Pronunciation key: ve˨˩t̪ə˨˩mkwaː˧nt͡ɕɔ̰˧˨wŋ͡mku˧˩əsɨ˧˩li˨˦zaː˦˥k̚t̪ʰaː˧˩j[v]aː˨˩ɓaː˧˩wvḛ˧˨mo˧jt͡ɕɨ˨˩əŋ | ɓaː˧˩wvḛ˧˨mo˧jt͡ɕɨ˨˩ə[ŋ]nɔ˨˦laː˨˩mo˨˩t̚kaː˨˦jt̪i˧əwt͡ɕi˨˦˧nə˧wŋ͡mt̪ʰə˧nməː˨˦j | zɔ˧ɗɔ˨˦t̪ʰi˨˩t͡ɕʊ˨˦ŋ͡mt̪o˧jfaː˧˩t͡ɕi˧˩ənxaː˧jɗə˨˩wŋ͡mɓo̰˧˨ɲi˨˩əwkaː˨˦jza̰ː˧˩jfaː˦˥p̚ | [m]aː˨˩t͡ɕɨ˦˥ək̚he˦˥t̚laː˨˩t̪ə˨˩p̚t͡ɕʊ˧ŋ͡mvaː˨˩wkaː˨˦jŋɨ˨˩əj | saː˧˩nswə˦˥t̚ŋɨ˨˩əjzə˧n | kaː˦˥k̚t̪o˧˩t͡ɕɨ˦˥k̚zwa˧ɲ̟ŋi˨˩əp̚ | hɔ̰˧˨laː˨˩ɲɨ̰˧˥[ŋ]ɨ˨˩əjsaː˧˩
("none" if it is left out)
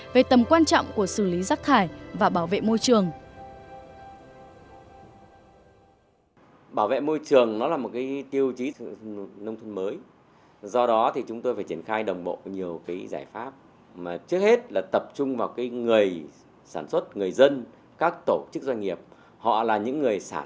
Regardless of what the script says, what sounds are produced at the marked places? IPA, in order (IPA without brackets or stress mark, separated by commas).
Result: v, ŋ, m, ŋː